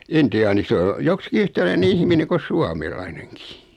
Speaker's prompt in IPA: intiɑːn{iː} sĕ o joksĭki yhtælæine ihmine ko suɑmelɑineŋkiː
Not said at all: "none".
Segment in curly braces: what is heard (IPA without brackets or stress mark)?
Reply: i